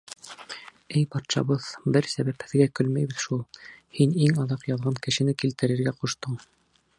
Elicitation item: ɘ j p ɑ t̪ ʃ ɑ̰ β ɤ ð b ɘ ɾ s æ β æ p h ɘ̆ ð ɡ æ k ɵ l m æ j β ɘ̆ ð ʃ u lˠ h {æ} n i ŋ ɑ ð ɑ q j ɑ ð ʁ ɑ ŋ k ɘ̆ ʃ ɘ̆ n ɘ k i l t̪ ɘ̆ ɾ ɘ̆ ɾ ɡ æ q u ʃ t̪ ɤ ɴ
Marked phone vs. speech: incorrect: i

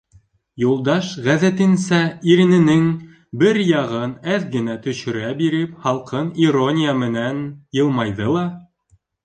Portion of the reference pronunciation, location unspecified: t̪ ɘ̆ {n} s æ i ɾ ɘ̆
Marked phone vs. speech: correct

